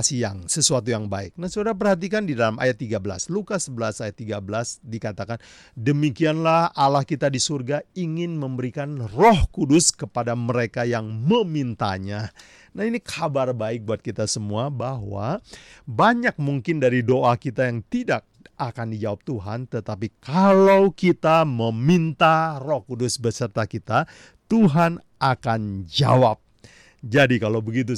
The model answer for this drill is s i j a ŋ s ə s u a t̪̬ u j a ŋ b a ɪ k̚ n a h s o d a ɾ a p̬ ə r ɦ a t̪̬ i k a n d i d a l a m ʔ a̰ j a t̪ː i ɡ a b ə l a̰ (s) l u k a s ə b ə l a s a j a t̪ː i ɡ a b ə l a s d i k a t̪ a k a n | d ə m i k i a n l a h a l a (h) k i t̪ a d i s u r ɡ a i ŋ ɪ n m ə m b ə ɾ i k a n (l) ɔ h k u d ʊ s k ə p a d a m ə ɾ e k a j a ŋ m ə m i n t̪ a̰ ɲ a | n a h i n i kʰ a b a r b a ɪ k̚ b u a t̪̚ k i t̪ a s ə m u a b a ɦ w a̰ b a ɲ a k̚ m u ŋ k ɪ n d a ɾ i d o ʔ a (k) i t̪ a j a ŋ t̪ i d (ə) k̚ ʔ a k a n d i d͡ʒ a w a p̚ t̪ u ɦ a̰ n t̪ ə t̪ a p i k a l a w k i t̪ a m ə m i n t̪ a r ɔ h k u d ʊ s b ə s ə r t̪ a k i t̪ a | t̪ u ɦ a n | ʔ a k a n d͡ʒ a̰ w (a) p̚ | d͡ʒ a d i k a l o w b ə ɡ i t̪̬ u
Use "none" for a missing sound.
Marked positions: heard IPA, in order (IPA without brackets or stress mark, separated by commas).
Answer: s, h, r, k, a, a